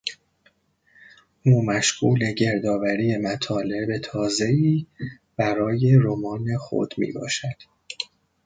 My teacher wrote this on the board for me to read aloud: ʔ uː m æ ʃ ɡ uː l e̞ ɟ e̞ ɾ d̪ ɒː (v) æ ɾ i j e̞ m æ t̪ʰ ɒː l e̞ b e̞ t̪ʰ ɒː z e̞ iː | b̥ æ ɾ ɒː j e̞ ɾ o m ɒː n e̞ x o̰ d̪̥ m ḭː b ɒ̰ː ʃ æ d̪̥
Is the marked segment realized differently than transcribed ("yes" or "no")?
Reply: no